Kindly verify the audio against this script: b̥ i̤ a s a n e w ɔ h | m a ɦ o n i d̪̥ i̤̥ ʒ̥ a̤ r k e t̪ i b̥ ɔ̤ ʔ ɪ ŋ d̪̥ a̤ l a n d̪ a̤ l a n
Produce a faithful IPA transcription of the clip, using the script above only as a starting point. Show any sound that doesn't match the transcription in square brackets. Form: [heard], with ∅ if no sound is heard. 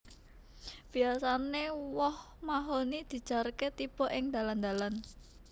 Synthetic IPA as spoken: b̥ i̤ a s a n e w ɔ h | m a ɦ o n i d̪̥ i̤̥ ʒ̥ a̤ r k e t̪ i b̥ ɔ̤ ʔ ɪ ŋ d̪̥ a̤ l a n d̪ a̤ l a n